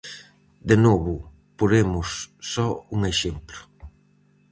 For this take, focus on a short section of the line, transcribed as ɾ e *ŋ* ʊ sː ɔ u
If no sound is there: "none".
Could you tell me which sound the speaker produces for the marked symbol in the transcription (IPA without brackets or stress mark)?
m